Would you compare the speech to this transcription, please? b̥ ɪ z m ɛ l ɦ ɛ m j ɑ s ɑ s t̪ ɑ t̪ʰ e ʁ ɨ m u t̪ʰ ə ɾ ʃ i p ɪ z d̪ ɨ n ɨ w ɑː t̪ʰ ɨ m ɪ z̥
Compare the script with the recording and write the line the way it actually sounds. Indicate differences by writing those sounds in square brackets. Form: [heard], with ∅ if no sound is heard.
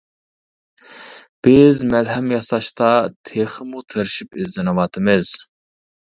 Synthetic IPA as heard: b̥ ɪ z m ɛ l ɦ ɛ m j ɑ s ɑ [ʃ] t̪ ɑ t̪ʰ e [χ] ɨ m u t̪ʰ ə ɾ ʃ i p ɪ z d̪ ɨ n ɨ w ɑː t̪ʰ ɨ m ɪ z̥